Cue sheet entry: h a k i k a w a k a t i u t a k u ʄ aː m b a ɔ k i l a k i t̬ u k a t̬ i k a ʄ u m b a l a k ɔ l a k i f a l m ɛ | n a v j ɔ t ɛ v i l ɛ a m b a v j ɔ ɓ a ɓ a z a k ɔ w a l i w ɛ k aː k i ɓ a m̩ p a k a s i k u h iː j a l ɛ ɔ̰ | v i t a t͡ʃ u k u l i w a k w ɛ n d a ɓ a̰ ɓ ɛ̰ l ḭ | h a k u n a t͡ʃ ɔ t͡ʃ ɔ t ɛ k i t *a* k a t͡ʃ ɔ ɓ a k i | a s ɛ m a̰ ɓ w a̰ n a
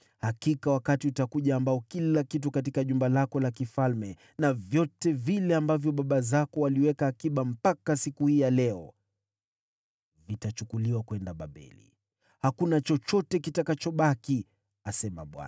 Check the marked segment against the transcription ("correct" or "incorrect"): correct